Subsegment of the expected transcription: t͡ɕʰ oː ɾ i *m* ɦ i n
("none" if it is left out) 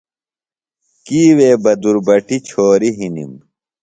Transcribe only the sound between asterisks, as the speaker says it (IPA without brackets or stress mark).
none